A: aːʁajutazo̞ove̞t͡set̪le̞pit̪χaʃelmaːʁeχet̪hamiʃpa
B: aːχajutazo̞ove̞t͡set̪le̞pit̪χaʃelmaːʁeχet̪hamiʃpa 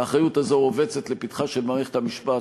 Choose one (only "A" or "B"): B